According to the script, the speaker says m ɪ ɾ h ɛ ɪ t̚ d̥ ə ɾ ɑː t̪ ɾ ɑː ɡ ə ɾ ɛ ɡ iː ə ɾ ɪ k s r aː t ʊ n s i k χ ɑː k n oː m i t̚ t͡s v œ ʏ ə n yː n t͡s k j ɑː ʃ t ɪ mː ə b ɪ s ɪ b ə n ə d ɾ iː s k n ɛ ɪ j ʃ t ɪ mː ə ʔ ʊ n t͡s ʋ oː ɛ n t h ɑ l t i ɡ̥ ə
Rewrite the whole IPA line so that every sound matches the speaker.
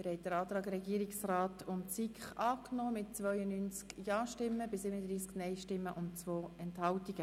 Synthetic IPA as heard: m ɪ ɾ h ɛ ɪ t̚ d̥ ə ɾ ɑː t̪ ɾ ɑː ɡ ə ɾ ɛ ɡ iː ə ɾ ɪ k s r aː t ʊ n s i k χ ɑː k n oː m ɪ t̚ t͡s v œ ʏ ə n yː n t͡s k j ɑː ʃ t ɪ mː ə b ɪ s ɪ b ə n ə d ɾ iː s k n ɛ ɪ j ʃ t ɪ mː ə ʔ ʊ n t͡s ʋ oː ɛ n t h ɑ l t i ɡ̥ ə